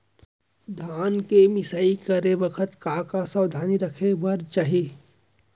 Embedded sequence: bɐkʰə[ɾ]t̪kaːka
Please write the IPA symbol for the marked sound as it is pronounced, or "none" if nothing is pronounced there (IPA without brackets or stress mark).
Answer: none